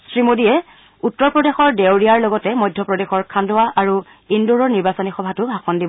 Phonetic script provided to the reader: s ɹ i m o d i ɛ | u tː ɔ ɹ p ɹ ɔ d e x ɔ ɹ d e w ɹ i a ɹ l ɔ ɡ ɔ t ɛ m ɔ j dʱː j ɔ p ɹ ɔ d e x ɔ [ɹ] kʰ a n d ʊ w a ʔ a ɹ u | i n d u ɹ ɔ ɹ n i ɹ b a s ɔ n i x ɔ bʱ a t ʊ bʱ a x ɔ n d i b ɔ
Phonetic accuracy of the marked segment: correct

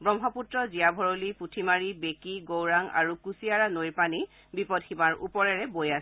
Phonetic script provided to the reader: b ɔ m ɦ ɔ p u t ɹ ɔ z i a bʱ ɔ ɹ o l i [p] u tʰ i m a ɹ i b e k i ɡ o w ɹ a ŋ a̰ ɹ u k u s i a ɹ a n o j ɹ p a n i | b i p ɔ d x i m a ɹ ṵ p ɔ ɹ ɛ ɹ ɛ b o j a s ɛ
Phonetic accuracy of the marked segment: correct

